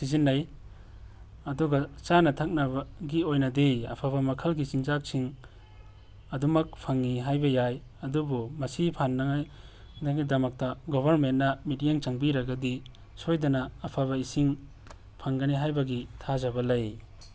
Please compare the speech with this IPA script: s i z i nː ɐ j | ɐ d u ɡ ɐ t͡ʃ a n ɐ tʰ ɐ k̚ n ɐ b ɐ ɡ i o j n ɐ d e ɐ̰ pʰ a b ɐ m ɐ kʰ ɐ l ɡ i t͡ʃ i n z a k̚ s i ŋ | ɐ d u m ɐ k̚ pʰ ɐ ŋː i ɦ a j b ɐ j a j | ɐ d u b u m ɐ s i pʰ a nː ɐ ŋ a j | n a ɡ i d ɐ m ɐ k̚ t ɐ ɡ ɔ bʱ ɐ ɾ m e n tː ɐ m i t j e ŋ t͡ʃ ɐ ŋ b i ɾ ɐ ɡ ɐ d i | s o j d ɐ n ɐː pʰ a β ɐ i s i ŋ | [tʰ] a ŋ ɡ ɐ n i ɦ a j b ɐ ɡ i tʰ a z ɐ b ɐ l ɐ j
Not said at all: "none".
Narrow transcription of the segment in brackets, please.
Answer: pʰ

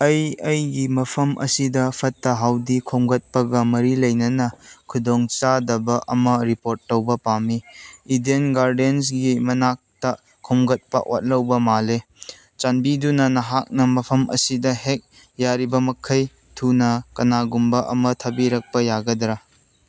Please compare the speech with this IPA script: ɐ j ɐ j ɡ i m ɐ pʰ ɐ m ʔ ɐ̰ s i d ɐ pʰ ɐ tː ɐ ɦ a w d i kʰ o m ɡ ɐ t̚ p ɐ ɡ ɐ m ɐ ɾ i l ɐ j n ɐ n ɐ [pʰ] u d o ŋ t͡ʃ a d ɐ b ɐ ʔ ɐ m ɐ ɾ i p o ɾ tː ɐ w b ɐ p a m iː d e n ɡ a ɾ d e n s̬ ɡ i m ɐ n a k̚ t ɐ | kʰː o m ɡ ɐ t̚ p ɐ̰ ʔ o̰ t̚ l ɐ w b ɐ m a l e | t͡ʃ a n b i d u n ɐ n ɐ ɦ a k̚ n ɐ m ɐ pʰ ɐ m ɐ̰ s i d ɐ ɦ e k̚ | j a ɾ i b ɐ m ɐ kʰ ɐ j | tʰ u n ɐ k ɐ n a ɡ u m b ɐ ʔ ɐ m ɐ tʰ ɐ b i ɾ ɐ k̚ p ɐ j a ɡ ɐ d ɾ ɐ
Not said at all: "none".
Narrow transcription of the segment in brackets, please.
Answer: kʰ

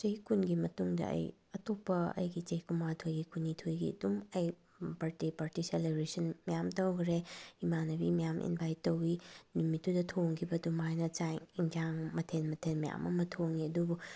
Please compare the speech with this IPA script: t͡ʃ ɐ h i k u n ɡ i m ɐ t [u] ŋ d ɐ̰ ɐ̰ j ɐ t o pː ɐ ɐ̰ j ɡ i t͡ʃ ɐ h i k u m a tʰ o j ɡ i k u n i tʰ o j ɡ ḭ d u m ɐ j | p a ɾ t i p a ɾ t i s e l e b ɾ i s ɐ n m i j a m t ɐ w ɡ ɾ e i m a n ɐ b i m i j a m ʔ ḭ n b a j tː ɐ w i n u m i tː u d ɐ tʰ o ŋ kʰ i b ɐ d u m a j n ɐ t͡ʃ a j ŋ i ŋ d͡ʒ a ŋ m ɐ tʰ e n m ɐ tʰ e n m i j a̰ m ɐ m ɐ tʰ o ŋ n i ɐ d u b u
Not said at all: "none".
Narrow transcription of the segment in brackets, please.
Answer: u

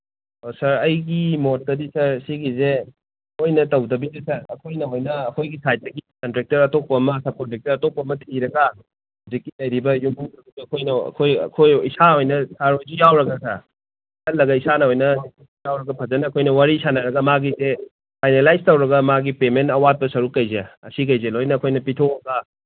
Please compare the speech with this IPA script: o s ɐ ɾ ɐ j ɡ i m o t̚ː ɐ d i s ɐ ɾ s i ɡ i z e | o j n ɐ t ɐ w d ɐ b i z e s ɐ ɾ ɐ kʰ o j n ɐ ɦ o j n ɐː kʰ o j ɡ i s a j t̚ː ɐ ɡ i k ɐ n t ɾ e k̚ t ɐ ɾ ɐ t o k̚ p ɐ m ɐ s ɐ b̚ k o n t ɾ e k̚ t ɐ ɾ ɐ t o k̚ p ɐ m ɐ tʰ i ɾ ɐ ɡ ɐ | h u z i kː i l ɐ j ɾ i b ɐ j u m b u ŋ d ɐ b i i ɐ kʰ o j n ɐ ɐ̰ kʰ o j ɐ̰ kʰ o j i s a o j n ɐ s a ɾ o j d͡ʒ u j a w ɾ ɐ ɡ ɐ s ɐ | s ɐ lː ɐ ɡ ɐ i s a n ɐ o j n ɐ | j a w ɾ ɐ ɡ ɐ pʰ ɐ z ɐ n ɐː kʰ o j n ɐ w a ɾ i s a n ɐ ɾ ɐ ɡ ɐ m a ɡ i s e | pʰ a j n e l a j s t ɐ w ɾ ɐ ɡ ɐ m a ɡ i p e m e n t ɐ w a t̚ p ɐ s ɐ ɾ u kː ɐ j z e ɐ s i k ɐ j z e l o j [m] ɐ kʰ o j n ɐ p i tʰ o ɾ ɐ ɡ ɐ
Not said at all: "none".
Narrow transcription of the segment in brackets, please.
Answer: n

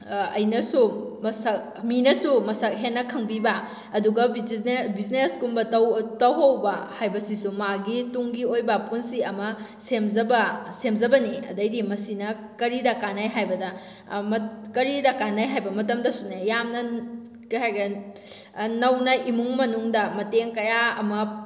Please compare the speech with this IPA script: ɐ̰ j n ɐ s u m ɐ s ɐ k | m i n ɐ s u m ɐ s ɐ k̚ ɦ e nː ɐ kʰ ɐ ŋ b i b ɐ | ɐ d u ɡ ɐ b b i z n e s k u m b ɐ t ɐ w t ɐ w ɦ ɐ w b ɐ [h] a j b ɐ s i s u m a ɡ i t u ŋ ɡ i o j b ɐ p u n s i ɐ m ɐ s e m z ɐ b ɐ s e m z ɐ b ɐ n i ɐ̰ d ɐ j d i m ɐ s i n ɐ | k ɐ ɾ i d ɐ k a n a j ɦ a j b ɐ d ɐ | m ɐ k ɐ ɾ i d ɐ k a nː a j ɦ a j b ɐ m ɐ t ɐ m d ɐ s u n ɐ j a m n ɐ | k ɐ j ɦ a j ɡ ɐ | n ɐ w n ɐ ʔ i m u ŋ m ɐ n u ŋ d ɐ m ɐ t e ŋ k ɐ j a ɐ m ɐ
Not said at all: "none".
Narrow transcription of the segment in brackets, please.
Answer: h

